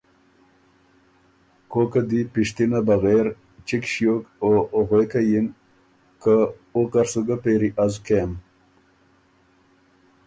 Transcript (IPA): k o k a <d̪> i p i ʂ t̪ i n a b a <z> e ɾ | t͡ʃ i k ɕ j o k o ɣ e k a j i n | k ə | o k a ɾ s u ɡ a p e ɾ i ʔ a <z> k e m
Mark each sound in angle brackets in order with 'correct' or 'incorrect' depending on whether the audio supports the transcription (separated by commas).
correct, incorrect, correct